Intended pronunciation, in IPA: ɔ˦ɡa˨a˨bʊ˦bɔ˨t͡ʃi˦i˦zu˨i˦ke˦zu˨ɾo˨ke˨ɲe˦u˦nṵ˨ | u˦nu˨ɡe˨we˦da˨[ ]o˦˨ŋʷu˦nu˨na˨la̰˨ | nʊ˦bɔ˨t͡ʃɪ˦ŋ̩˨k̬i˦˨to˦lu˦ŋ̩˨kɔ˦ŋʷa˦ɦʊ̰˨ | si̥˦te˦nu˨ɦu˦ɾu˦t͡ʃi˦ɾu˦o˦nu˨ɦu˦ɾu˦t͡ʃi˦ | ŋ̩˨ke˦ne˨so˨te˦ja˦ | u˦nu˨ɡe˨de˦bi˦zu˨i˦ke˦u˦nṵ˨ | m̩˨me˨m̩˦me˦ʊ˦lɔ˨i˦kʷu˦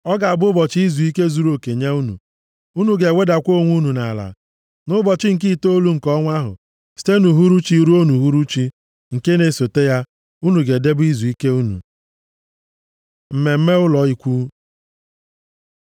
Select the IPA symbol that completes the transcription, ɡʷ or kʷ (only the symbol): kʷ